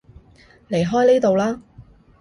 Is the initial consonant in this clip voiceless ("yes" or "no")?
no